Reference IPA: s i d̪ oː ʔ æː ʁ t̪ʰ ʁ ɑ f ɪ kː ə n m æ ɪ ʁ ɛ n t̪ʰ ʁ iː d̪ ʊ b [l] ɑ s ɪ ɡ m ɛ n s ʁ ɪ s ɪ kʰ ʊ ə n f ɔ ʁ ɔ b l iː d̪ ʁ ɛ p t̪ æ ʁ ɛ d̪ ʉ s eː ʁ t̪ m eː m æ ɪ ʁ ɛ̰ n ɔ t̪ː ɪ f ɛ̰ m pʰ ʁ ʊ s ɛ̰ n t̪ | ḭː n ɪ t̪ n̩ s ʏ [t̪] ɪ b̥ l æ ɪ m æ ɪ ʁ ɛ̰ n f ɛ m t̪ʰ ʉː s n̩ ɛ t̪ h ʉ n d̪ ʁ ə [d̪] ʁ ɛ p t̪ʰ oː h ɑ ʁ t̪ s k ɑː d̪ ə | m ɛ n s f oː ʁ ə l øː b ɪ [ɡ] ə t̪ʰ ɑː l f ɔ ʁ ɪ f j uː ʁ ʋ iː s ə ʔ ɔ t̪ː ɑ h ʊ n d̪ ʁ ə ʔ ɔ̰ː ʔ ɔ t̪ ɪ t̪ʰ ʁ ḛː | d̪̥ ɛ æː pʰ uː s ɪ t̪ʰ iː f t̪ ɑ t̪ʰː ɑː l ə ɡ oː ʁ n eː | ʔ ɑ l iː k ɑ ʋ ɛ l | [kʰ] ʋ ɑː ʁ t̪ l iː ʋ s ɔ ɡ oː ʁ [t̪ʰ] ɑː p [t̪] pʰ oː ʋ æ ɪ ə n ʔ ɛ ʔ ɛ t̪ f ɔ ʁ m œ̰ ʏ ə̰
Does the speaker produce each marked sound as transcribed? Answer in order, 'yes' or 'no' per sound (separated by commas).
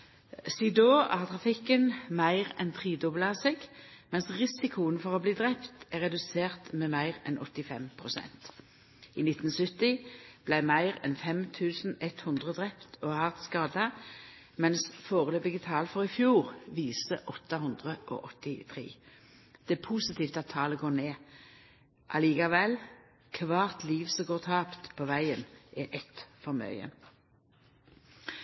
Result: yes, yes, yes, yes, yes, yes, yes